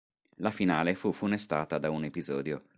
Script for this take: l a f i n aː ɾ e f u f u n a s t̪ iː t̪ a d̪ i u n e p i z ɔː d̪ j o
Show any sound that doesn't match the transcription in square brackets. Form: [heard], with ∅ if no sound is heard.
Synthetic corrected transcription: l a f i n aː [l] e f u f u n [e] s t̪ [aː] t̪ a d̪ [a] u n e p i z ɔː d̪ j o